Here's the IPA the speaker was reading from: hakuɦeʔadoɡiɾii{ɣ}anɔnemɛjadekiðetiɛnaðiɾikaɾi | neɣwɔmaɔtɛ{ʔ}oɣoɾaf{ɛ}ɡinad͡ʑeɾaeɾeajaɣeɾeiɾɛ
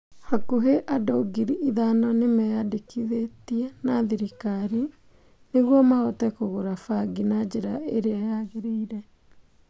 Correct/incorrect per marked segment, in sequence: incorrect, incorrect, incorrect

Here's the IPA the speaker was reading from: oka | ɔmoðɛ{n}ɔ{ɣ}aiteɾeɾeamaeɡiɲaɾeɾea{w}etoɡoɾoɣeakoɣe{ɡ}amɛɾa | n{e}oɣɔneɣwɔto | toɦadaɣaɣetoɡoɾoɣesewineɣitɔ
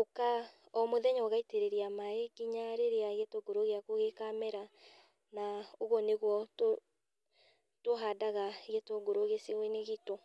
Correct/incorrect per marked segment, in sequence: incorrect, correct, incorrect, incorrect, incorrect

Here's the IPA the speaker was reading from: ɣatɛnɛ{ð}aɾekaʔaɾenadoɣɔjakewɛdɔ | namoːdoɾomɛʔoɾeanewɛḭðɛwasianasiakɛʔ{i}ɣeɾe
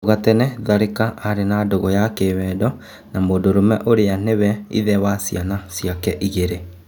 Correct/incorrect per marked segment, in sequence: correct, correct

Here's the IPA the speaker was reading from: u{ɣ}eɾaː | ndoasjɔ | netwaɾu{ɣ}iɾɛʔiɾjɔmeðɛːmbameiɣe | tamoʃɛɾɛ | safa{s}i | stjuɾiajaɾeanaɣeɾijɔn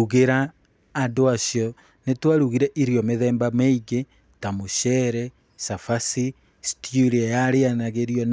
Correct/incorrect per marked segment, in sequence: correct, correct, correct

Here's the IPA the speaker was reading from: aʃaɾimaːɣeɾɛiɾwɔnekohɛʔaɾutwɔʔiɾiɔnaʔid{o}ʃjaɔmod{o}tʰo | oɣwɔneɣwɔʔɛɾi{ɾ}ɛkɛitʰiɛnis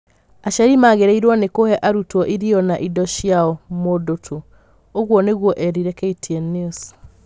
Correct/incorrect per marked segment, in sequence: incorrect, correct, correct

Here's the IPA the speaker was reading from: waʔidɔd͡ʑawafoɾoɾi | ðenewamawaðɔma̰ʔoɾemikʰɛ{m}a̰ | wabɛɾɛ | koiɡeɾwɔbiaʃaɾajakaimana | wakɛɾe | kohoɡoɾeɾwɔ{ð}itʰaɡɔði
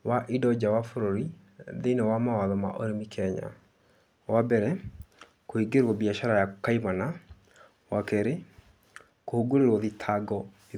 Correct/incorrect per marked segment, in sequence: incorrect, correct

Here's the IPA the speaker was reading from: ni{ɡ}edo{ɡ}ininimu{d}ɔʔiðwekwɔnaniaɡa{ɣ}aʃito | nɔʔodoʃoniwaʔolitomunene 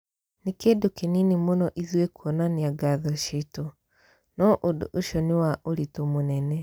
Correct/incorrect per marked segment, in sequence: incorrect, incorrect, incorrect, incorrect

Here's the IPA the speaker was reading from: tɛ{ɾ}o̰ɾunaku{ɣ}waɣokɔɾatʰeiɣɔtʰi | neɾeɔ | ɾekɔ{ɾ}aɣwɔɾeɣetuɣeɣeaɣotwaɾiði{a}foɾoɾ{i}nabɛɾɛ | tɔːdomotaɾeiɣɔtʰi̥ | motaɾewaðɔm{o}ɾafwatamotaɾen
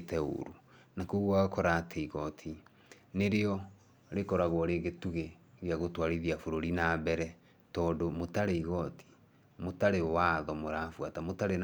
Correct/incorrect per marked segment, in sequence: incorrect, correct, correct, correct, correct, correct

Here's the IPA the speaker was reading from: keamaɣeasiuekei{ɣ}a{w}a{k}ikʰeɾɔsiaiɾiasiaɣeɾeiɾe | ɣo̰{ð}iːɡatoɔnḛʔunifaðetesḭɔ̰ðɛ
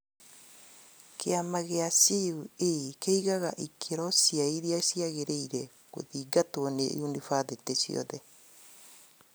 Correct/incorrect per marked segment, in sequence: correct, incorrect, incorrect, correct

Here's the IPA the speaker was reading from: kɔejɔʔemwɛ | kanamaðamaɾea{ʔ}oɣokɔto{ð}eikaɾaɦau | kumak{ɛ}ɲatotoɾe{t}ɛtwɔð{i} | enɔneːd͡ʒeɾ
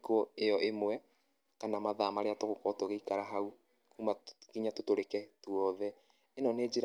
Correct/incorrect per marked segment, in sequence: incorrect, incorrect, incorrect, incorrect, incorrect

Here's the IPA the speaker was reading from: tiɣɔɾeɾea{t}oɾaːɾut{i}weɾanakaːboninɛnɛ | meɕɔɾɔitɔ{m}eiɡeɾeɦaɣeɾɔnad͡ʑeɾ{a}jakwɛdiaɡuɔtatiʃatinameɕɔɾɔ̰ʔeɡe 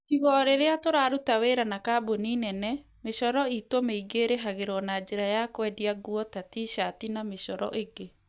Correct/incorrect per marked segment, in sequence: correct, incorrect, correct, correct

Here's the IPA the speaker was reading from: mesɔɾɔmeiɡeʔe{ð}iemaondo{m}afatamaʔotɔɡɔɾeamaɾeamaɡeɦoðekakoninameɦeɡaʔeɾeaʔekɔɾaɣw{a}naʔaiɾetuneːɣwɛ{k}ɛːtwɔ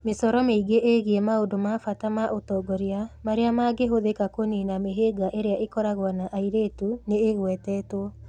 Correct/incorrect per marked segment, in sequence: incorrect, correct, correct, incorrect

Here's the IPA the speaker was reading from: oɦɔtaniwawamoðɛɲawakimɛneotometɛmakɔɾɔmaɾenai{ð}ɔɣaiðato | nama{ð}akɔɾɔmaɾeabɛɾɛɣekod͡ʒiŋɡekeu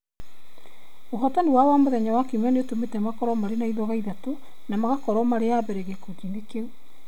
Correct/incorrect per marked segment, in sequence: correct, incorrect

